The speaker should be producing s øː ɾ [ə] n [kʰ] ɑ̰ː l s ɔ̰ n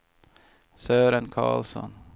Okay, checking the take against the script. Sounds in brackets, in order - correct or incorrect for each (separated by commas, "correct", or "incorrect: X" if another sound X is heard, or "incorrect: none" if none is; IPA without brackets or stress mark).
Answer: correct, correct